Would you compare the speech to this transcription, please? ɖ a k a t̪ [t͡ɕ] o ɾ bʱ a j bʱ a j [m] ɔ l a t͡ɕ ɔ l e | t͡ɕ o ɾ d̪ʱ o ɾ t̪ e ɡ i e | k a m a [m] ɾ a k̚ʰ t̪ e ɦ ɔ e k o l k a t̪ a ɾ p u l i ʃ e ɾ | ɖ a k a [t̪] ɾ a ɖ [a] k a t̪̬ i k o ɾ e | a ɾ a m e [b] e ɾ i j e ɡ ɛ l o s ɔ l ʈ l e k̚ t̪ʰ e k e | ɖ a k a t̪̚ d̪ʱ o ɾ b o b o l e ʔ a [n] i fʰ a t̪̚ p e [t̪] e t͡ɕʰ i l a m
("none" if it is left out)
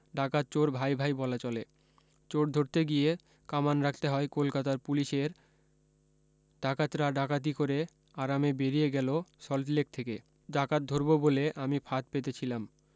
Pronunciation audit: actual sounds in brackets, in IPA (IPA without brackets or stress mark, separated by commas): t͡ɕ, b, n, t̪, a, b, m, t̪